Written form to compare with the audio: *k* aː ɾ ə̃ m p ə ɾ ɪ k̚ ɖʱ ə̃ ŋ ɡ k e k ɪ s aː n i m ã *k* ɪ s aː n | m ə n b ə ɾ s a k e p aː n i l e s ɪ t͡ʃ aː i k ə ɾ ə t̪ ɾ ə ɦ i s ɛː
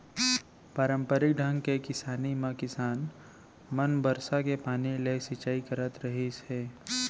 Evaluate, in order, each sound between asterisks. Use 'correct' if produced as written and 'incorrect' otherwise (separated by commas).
incorrect, correct